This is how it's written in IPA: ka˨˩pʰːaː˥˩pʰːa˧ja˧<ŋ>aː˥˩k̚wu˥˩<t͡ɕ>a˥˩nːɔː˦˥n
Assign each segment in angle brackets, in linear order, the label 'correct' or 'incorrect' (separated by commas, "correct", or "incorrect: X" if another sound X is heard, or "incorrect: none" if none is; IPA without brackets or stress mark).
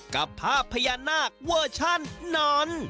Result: incorrect: n, incorrect: t͡ɕʰ